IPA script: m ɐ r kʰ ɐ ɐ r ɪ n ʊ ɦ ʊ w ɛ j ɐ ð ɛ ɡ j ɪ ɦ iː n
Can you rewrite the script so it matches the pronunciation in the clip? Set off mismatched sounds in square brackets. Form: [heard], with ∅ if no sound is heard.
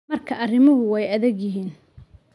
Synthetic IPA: m ɐ r kʰ ɐ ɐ r ɪ [m] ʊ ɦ ʊ w ɛ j ɐ ð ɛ ɡ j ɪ ɦ iː n